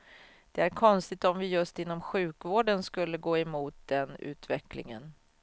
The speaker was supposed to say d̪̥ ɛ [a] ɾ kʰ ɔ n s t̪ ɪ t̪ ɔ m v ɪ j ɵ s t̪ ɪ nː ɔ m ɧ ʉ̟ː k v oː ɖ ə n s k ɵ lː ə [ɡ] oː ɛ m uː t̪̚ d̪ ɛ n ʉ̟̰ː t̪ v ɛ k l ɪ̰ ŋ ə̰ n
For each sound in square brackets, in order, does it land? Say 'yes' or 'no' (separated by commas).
no, yes